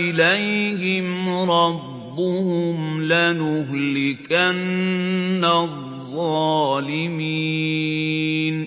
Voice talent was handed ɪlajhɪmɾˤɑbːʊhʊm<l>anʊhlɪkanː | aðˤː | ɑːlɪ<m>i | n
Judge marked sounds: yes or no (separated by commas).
yes, yes